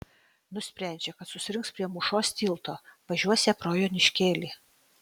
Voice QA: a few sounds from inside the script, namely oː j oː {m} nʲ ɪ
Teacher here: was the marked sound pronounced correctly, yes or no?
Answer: no